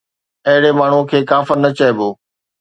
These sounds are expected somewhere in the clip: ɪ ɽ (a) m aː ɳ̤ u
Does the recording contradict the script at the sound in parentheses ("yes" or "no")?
yes